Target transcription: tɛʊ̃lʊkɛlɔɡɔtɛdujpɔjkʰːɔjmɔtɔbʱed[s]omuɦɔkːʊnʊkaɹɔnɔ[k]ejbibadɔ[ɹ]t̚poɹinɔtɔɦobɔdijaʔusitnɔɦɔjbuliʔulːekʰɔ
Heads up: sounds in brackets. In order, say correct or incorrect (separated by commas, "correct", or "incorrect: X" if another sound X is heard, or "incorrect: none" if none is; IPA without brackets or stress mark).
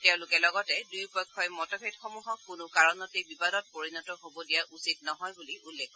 incorrect: x, incorrect: t, incorrect: none